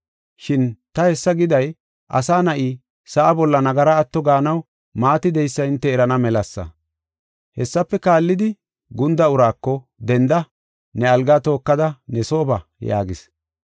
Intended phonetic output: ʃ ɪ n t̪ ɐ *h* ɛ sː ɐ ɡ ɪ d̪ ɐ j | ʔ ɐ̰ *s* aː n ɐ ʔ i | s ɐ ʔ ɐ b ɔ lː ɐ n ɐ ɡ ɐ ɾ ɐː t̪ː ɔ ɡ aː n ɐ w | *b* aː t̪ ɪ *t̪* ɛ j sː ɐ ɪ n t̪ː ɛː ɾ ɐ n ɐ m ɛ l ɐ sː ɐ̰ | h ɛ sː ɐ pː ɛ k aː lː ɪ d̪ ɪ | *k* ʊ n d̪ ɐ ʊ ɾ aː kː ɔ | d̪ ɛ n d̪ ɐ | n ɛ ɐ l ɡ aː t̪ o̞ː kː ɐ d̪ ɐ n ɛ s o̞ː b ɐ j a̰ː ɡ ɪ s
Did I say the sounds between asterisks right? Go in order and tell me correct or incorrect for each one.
correct, correct, incorrect, incorrect, incorrect

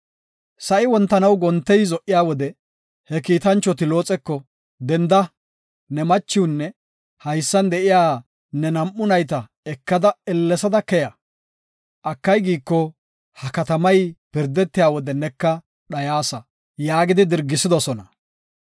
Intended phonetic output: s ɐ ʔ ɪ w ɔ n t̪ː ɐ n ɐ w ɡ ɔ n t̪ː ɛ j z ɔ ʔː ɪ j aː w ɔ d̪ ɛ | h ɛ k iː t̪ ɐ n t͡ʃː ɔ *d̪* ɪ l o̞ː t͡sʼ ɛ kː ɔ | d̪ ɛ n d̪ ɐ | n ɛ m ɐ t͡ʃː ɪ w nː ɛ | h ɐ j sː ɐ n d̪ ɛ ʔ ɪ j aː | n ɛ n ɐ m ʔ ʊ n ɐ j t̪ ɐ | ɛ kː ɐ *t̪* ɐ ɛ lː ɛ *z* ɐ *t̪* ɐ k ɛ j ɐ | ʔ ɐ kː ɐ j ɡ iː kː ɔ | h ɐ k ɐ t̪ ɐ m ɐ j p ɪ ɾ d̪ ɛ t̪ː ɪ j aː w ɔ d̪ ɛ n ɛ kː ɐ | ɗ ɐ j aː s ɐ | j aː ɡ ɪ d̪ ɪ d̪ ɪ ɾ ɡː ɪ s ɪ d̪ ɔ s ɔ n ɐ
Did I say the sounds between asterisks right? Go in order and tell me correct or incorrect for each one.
incorrect, incorrect, incorrect, incorrect

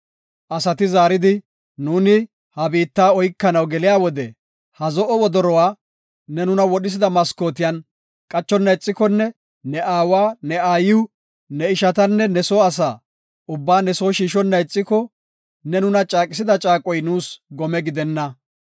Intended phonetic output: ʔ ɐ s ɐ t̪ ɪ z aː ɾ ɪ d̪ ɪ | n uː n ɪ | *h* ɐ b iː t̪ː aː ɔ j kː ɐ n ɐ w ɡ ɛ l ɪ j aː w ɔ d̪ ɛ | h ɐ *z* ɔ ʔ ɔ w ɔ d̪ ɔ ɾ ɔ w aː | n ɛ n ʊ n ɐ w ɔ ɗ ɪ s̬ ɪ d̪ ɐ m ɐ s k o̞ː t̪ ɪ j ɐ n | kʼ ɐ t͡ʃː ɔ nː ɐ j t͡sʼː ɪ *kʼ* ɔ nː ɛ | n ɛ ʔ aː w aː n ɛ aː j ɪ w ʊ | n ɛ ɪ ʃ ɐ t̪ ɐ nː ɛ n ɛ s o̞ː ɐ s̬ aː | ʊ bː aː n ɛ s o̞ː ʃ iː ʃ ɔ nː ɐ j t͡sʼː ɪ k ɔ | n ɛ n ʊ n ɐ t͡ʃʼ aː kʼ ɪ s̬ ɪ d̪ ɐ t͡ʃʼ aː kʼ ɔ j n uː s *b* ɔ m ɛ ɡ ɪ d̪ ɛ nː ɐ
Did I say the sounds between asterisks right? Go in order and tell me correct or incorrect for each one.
correct, correct, incorrect, incorrect

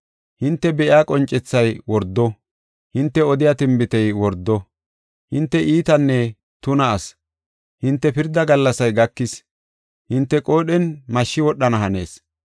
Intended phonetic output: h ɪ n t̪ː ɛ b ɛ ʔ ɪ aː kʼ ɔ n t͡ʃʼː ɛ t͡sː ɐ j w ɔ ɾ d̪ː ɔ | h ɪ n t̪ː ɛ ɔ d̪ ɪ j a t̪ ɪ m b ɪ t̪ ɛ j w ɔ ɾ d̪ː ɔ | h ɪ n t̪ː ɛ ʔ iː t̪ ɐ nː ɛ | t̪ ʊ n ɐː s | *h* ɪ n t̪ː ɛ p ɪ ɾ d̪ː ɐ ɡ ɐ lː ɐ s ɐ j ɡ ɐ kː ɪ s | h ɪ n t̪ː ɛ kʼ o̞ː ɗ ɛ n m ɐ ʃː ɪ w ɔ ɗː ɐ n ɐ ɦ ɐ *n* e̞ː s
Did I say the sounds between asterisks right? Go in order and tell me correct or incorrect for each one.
correct, correct

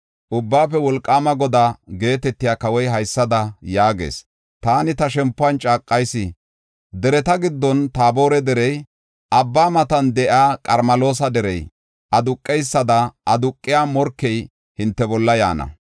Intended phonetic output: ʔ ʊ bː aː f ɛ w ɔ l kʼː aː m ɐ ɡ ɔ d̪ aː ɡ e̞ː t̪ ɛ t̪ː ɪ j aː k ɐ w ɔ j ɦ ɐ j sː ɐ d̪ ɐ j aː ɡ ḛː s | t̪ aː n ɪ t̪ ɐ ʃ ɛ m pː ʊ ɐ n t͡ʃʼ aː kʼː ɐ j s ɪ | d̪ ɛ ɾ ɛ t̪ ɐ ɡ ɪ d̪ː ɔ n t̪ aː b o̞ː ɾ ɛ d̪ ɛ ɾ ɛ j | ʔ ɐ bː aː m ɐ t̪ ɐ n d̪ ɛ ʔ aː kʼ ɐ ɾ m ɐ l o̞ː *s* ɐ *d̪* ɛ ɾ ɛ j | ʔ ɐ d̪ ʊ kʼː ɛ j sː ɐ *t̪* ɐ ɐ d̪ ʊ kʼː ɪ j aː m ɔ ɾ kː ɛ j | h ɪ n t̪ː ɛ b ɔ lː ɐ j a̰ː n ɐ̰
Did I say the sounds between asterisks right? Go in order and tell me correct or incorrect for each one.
correct, correct, incorrect

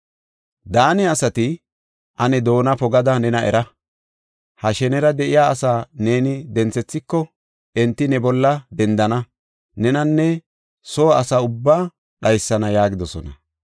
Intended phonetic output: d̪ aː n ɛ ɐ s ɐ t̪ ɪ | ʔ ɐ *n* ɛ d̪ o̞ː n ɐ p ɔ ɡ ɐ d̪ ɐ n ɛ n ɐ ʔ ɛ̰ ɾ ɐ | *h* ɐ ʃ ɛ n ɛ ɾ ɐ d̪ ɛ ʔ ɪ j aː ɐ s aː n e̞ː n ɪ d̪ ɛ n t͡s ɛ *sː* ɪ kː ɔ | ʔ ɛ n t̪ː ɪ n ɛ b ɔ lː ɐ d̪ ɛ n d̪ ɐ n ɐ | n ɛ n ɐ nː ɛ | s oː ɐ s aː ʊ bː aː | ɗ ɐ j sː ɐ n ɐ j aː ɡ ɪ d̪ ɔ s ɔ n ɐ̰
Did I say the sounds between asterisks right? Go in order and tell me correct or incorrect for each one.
correct, correct, incorrect

